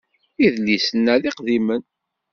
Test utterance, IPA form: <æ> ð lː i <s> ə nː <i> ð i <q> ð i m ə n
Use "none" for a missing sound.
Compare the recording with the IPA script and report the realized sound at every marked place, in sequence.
i, s, æ, q

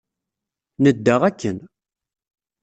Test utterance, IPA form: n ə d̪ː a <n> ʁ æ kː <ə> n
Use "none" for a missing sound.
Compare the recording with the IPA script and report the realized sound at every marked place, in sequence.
none, ə

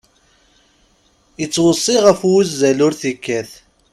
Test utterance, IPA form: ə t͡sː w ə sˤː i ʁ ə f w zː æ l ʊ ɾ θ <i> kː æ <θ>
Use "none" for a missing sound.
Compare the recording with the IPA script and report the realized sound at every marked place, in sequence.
i, θ

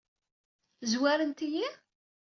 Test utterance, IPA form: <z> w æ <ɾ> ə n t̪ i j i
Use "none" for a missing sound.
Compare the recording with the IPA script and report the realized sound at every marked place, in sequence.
z, ɾ

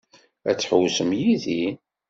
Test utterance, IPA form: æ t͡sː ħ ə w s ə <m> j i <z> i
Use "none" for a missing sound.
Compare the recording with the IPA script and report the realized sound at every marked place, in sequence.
m, ð

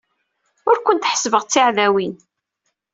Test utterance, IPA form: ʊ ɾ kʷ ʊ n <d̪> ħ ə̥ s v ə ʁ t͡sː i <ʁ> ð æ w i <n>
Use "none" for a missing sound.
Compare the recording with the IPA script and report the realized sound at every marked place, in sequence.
t̪, ʕ, n

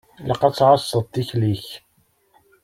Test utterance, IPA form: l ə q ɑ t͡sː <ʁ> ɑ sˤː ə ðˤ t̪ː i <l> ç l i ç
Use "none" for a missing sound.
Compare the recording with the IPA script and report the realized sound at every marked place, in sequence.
ʕ, none

